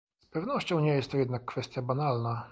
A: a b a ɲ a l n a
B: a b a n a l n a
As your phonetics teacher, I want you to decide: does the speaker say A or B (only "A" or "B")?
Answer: B